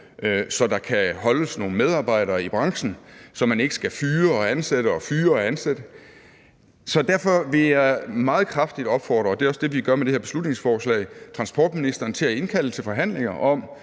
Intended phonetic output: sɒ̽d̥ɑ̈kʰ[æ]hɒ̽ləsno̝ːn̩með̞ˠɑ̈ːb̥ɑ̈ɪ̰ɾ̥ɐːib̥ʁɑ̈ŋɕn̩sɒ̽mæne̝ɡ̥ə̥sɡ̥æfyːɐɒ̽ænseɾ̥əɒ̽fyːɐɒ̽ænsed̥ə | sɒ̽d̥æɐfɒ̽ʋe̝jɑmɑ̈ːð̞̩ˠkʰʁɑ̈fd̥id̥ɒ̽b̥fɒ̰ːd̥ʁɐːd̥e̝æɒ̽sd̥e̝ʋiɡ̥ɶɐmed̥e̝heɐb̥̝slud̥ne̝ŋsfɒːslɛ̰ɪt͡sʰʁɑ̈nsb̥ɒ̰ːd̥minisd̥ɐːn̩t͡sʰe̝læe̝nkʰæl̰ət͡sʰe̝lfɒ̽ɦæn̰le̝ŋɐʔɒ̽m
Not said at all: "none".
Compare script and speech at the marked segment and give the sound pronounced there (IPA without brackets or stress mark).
æ